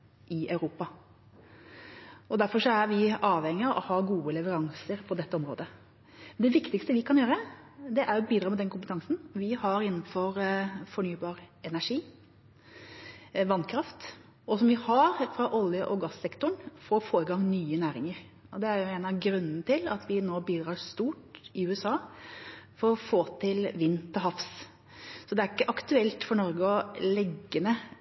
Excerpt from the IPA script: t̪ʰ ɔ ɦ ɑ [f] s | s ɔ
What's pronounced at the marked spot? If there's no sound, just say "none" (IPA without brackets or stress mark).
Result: f